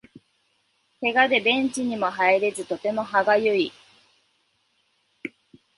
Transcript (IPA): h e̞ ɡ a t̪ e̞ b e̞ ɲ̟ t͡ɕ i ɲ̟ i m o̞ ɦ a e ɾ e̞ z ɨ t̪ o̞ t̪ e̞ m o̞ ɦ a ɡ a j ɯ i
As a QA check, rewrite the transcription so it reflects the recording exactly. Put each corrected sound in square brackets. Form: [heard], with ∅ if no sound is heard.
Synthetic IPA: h e̞ ɡ a [d̪] e̞ b [ẽ̞] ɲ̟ t͡ɕ i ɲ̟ i m o̞ ɦ a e ɾ e̞ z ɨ t̪ o̞ t̪ e̞ m o̞ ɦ a ɡ a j ɯ i